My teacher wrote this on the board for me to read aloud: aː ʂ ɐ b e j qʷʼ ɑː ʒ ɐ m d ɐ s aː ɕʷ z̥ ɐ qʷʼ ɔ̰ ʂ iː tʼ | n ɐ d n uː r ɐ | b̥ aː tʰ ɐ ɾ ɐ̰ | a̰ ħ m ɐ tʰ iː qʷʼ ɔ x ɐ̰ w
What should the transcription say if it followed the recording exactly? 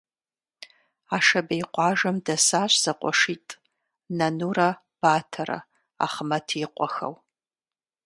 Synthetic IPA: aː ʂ ɐ b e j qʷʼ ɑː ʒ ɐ m d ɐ s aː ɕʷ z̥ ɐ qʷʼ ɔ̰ ʂ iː tʼ | n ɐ n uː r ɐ | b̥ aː tʰ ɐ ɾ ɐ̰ | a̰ χ m ɐ tʰ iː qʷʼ ɔ x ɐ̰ w